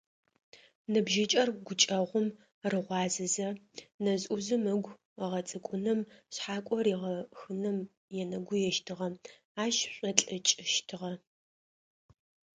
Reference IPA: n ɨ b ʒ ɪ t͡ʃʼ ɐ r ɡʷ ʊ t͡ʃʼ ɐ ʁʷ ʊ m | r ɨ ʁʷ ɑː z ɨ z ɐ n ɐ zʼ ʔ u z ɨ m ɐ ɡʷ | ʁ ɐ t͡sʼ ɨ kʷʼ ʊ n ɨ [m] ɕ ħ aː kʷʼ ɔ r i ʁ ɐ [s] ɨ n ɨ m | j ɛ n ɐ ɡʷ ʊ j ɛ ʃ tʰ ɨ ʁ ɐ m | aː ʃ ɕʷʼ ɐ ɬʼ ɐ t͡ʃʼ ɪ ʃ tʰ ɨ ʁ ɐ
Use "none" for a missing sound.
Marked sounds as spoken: m, x

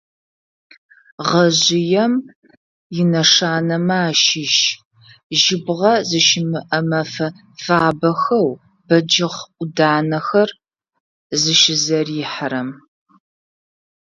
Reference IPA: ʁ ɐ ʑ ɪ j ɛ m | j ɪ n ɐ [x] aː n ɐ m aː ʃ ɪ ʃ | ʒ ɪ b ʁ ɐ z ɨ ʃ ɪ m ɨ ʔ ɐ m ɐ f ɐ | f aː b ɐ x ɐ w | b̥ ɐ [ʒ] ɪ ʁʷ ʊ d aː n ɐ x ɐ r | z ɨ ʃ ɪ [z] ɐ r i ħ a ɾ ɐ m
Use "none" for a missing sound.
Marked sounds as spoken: ʂ, d͡ʒ, z

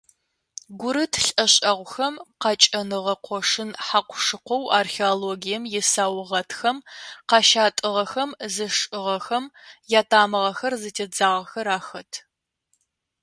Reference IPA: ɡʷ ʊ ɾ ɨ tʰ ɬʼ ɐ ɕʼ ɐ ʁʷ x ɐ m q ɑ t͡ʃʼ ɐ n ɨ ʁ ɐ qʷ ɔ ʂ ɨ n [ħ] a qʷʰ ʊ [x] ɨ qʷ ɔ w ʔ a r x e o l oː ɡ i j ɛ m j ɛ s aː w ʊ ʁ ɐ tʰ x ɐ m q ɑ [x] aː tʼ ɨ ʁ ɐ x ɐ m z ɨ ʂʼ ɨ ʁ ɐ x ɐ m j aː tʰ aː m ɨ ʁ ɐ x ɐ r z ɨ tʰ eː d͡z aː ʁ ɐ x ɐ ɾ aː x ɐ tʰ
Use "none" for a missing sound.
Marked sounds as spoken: ħ, ʂ, ʃ

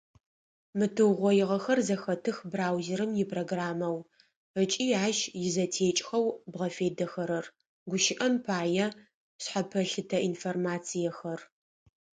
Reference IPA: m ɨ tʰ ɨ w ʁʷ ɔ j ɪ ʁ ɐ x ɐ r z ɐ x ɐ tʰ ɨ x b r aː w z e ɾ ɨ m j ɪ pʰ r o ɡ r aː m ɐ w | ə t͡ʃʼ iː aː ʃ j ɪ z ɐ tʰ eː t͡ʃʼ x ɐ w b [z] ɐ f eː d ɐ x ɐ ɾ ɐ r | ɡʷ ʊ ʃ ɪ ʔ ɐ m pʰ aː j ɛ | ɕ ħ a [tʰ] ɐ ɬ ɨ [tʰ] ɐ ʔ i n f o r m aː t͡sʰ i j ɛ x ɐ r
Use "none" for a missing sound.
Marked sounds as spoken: ʁ, pʰ, tʰ

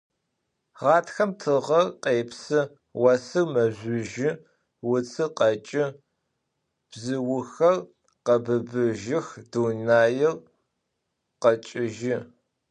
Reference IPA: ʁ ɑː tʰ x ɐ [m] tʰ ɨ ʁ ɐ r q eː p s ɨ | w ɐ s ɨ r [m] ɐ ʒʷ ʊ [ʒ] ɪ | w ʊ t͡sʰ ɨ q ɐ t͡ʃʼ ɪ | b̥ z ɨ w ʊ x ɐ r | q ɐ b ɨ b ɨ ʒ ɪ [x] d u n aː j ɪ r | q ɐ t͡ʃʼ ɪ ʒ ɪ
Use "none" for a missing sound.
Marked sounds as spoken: m, m, ʒ, x

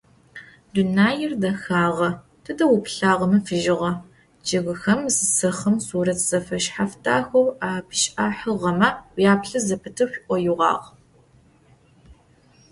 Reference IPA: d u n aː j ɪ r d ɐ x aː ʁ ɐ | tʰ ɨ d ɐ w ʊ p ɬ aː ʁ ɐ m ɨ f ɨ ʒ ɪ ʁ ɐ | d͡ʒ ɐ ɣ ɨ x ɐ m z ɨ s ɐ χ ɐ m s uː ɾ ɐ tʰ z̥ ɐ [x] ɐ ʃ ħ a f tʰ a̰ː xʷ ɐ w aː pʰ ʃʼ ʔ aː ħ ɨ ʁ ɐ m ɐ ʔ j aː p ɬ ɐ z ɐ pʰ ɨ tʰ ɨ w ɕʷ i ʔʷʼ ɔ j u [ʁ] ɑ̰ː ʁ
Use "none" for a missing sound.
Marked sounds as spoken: f, ʁ

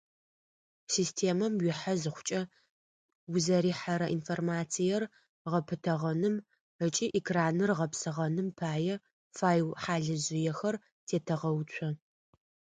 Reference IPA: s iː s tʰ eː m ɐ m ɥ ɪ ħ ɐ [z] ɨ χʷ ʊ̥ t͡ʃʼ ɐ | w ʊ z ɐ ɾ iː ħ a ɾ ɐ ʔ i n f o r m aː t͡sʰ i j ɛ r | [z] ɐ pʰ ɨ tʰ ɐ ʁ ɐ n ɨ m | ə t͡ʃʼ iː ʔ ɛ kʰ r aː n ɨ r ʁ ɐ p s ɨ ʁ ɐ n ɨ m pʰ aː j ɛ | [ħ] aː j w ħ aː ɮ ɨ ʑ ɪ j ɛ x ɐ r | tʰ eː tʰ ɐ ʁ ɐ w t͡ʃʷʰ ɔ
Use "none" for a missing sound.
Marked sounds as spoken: z, ʁ, f

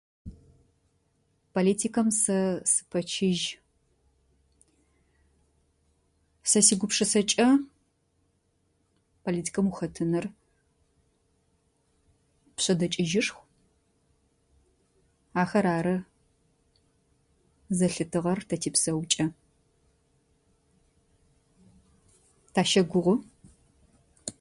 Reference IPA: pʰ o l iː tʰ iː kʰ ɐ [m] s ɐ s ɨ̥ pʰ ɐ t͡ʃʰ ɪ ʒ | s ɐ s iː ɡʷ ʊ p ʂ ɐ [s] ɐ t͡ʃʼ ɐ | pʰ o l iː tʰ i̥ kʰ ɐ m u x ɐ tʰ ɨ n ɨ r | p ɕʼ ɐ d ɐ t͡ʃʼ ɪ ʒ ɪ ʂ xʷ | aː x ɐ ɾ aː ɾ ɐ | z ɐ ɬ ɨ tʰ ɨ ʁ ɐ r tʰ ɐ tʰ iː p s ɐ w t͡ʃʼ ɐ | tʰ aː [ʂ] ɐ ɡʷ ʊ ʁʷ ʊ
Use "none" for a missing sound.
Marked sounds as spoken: m, s, ʃ

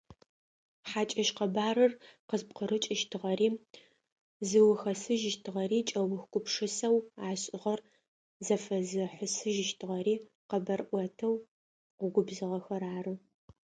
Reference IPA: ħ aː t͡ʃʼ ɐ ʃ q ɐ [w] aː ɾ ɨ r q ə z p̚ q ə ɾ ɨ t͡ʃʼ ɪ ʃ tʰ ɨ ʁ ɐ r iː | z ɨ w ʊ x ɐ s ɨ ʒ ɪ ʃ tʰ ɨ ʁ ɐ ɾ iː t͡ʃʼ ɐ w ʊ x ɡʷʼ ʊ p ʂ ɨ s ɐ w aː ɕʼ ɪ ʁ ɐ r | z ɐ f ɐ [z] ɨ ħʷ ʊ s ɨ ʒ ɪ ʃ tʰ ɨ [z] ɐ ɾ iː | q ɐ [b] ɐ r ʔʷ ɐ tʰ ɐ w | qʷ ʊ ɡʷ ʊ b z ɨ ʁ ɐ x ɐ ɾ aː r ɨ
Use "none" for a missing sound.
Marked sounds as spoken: b, z, ʁ, b

